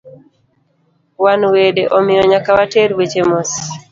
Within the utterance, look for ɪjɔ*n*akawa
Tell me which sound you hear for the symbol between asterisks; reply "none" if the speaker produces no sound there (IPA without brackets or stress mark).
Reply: ɲ